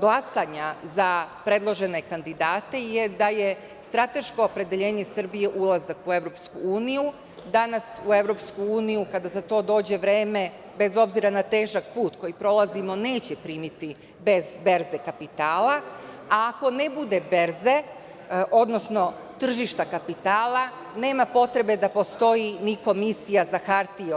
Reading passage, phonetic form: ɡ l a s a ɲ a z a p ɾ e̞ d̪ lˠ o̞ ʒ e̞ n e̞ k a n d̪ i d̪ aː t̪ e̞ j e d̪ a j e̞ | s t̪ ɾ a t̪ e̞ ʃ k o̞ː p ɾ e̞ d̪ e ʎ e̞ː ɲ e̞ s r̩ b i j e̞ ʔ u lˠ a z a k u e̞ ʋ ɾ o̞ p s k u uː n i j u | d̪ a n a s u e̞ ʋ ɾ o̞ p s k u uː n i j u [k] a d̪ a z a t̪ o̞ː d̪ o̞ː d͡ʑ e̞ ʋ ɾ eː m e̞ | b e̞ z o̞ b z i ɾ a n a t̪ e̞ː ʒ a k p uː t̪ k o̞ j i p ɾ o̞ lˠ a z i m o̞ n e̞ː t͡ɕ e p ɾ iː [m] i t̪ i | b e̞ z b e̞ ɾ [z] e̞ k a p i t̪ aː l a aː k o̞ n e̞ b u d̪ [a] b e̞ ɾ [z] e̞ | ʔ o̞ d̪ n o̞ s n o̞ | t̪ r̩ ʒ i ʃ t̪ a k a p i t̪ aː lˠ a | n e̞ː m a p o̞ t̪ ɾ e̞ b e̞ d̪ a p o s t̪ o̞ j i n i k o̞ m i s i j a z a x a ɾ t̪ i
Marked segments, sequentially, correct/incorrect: correct, correct, correct, incorrect: e, correct

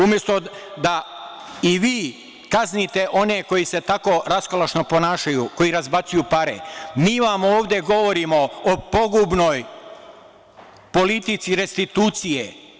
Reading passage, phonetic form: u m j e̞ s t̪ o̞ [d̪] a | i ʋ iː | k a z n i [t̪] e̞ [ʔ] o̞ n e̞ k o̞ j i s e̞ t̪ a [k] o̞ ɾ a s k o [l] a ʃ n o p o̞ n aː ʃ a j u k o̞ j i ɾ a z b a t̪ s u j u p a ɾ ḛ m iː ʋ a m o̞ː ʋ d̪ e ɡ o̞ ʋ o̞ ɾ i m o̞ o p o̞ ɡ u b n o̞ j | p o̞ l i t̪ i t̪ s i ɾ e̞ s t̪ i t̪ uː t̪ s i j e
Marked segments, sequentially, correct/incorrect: correct, correct, correct, correct, correct

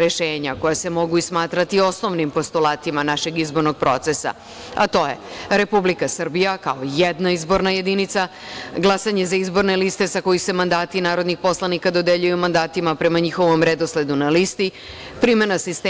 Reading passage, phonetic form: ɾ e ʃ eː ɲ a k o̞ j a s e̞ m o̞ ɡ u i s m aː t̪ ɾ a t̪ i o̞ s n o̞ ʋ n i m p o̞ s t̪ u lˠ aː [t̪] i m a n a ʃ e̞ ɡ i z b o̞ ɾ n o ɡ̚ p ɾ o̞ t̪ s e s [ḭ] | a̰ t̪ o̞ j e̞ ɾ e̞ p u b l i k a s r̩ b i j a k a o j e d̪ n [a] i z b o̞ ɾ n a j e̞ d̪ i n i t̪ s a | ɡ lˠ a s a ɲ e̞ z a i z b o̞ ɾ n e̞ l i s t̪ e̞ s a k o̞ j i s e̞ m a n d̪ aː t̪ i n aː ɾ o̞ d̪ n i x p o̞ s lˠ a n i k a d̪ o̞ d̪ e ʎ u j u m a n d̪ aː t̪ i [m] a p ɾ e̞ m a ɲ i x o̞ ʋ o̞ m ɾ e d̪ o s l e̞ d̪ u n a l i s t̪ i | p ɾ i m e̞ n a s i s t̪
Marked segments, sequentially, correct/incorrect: correct, incorrect: a̰, correct, correct

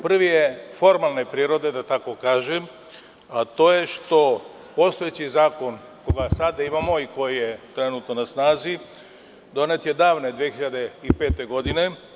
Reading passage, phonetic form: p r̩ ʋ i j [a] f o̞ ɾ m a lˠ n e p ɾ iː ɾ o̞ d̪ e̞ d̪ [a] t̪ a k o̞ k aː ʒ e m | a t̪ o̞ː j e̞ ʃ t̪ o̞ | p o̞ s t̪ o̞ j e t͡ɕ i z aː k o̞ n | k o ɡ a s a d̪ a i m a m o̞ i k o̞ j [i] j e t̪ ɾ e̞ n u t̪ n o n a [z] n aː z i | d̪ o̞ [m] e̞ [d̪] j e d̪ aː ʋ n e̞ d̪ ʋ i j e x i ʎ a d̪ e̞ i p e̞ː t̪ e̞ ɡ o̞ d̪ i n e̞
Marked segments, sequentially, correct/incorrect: incorrect: e, correct, correct, incorrect: s, incorrect: n, incorrect: t̪

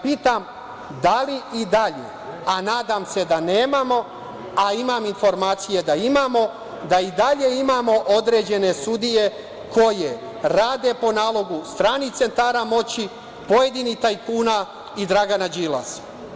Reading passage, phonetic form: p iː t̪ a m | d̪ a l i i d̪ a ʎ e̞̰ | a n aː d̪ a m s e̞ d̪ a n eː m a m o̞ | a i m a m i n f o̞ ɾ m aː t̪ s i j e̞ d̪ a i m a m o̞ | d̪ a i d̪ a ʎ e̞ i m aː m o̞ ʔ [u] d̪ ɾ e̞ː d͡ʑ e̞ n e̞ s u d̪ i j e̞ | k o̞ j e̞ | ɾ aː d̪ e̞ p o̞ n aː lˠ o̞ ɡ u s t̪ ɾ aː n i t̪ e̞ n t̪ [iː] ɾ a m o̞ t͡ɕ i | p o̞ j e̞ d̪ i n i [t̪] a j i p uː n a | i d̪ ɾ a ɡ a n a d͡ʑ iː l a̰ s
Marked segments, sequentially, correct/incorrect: incorrect: o, incorrect: aː, correct

